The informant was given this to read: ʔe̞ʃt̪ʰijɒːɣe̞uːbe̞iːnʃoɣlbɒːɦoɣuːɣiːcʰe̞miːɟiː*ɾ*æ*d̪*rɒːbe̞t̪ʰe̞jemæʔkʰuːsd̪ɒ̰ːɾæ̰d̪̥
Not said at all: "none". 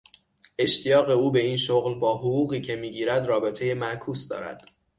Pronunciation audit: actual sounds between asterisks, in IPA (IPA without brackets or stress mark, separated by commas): ɾ, d̪